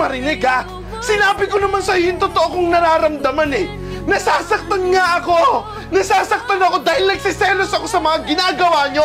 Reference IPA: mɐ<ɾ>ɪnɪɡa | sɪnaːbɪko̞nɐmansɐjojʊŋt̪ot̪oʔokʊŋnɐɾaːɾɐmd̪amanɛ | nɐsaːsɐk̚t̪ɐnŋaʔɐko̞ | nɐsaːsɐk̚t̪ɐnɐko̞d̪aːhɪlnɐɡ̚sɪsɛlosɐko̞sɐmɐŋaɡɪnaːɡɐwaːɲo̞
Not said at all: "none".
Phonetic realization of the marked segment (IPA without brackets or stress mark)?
ɾ